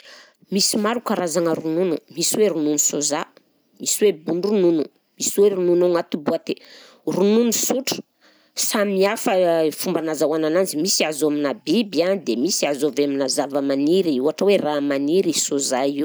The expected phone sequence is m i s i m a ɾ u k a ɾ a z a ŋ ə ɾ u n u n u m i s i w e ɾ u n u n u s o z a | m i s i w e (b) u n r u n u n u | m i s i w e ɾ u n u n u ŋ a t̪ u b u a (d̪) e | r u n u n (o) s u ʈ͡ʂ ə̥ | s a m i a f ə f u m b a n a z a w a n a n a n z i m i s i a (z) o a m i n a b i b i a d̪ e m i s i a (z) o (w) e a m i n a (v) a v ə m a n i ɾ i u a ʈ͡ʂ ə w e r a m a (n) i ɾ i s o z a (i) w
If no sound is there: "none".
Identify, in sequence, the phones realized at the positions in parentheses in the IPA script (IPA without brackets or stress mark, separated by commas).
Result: b, t̪, u, z, z, v, z, n, i